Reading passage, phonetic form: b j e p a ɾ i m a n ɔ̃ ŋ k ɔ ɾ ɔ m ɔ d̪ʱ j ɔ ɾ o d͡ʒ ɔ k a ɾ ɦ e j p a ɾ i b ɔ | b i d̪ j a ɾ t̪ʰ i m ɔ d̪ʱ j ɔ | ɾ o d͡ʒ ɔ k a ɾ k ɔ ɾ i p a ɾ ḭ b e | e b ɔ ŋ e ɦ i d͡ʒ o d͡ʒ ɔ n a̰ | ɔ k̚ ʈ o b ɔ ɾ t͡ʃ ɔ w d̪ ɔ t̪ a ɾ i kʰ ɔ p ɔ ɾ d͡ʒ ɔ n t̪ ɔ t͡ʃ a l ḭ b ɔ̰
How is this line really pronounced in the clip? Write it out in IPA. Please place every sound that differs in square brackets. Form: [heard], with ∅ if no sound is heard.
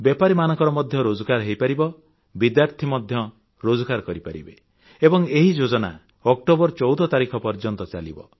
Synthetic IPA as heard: b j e p a ɾ i m a n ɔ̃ ŋ k ɔ ɾ ɔ m ɔ d̪ʱ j ɔ ɾ o d͡ʒ ɔ k a ɾ ɦ e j p a ɾ i b ɔ | b i d̪ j a ɾ t̪ʰ i m ɔ d̪ʱ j ɔ | ɾ o d͡ʒ ɔ k a ɾ k ɔ ɾ i p a ɾ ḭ b e | e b ɔ ŋ e ɦ i d͡ʒ o d͡ʒ ɔ n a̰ | ɔ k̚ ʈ o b ɔ ɾ t͡ʃ ɔ w d̪ ɔ t̪ a ɾ i kʰ ɔ p ɔ ɾ d͡ʒ ɔ n t̪ ɔ t͡ʃ a l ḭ b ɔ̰